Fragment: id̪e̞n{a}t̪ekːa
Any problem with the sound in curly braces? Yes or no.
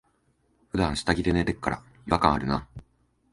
yes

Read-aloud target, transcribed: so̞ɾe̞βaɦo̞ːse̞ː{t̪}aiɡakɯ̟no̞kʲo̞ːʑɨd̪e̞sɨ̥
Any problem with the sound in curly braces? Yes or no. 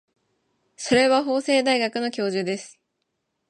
yes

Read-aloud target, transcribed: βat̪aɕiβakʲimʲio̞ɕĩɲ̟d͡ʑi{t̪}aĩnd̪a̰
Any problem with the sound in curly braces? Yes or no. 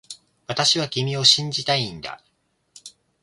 no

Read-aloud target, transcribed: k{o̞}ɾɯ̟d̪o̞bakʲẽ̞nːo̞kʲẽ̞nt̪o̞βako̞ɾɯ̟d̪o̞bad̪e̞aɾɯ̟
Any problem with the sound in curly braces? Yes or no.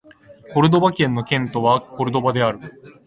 no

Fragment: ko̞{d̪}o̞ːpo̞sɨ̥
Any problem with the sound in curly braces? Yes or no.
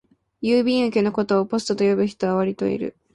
yes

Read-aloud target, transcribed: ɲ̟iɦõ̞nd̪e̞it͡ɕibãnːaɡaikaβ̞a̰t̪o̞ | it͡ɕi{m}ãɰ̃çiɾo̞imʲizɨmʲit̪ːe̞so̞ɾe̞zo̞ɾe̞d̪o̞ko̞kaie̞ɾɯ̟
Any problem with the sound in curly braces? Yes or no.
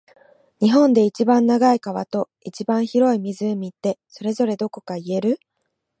yes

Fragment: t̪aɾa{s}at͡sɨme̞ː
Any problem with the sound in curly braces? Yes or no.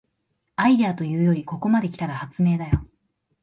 yes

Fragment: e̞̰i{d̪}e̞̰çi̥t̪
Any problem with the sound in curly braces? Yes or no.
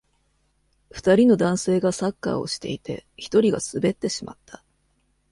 yes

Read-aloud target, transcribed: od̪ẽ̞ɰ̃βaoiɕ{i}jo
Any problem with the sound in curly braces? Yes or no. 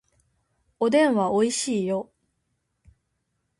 yes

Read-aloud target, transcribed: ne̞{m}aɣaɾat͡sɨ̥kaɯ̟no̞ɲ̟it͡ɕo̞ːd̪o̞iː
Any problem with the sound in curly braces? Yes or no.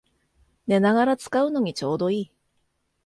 yes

